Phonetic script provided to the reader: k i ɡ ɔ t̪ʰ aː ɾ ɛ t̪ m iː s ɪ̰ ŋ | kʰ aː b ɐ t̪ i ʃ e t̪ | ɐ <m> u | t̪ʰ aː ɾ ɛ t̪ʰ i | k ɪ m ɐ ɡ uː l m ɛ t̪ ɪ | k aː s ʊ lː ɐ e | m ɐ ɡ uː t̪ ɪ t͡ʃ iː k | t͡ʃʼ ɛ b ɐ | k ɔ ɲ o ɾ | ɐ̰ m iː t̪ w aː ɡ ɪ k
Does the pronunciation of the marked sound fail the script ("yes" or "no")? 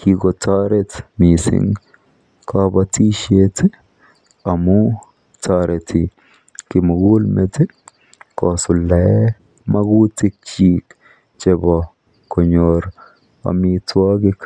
no